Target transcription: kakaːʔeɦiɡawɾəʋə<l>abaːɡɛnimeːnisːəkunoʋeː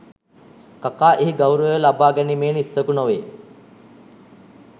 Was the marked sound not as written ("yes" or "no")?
no